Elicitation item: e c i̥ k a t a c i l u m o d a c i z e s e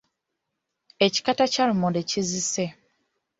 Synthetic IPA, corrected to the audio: e c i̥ k a t a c a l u m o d e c i z i s e